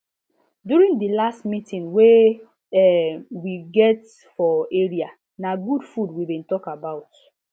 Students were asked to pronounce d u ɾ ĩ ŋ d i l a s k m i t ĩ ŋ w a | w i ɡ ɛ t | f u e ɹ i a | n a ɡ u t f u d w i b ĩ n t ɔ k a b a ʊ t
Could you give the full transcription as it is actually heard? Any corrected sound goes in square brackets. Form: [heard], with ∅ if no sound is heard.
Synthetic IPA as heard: d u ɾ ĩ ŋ d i l a s [t] m i t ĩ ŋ w [e] | w i ɡ ɛ t | f [ɔ] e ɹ i a | n a ɡ u [d] f u d w i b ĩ n t ɔ k a b a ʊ t